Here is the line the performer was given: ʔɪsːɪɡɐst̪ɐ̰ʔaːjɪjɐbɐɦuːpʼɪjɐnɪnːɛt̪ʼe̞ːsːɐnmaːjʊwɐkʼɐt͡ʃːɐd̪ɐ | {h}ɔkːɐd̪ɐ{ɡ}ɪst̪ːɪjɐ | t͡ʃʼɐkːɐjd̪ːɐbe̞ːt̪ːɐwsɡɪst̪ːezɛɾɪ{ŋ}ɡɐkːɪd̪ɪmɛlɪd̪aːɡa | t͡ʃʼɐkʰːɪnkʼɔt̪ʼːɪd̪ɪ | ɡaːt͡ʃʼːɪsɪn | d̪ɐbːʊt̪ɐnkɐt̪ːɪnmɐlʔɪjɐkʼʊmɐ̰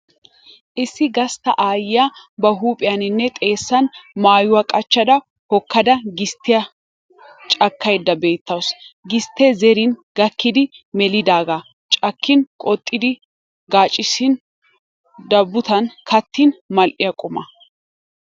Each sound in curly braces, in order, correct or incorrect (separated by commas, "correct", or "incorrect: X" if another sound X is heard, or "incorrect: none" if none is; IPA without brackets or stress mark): correct, correct, incorrect: n